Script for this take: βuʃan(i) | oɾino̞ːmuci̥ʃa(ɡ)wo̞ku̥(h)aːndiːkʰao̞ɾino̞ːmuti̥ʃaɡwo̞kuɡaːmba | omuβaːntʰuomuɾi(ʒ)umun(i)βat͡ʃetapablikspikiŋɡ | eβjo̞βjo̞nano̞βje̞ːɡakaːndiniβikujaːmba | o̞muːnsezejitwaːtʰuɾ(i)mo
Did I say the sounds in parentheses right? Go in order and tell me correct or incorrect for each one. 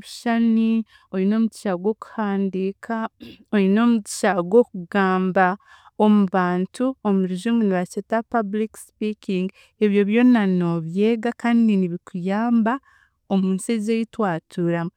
correct, correct, correct, correct, correct, incorrect: a

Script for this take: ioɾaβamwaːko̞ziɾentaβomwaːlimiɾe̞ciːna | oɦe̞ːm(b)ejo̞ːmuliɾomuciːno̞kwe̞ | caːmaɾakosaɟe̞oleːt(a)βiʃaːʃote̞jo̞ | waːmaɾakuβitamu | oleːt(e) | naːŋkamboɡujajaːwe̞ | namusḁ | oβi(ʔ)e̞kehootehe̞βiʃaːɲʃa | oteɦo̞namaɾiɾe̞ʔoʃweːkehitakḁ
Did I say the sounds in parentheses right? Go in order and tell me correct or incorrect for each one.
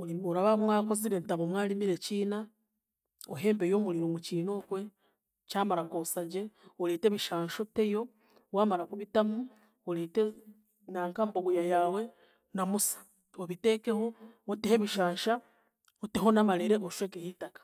correct, incorrect: e, correct, incorrect: t

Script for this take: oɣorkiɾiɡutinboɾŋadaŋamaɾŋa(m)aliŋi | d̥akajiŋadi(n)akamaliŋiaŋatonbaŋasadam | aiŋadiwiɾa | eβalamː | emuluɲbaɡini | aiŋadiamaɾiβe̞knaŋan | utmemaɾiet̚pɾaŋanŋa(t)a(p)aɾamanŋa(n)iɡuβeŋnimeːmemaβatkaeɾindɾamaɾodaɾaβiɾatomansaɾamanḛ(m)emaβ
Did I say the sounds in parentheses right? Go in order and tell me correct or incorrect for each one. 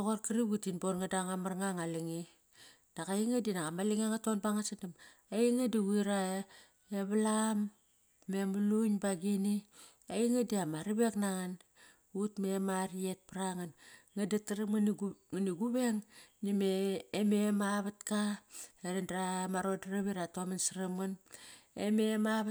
incorrect: ŋ, correct, incorrect: d, incorrect: t, correct, correct

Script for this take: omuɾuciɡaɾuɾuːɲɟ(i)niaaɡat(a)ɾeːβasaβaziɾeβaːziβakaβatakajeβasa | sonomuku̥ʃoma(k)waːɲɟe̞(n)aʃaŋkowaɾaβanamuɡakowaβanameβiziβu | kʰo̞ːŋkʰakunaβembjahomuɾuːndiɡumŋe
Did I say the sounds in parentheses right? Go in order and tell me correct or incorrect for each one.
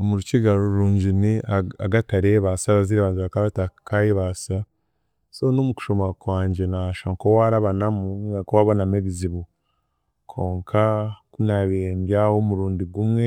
correct, correct, correct, correct

